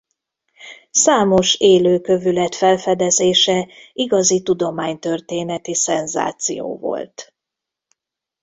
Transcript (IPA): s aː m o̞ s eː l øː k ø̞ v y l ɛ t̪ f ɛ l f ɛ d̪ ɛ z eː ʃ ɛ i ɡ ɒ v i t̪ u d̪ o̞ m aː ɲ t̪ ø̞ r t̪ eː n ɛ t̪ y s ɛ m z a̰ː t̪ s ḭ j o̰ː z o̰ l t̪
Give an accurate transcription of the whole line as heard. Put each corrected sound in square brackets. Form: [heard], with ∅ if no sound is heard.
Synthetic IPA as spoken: s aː m o̞ [ʃ] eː l øː k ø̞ v y l ɛ t̪ f ɛ l f ɛ d̪ ɛ z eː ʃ ɛ i ɡ ɒ [z] i t̪ u d̪ o̞ m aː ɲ t̪ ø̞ r t̪ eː n ɛ t̪ [i] s ɛ [n] z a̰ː t̪ s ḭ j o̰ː [v] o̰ l t̪